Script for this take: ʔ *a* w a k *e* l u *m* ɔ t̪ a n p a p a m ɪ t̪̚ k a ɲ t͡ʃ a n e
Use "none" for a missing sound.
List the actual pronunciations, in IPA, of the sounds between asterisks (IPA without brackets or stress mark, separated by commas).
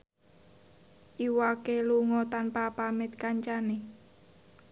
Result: i, e, ŋ